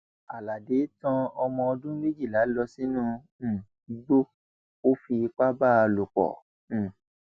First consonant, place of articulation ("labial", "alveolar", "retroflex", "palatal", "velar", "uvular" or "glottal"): alveolar